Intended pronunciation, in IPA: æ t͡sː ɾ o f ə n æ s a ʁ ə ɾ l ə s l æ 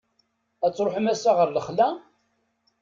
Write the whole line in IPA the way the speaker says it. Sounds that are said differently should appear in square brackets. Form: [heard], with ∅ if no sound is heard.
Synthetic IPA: æ t͡sː ɾ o [ħ] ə [m] æ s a ʁ ə ɾ l ə [χ] l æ